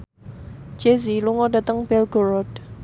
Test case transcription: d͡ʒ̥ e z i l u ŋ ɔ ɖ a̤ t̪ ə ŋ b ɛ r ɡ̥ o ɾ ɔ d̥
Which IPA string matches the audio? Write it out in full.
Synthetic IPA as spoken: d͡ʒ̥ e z i l u ŋ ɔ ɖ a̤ t̪ ə ŋ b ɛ l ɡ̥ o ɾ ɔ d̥